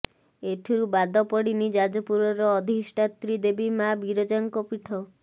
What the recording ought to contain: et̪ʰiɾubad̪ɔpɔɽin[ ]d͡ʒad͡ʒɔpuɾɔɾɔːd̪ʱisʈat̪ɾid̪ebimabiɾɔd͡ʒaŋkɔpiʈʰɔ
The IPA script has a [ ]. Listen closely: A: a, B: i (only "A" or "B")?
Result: B